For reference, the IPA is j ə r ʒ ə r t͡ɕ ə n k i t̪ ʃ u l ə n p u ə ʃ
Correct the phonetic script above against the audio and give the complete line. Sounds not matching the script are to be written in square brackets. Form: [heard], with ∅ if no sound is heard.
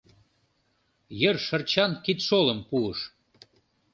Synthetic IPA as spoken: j ə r [ʃ] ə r t͡ɕ [ɑ] n k i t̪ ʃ [o] l ə [m] p u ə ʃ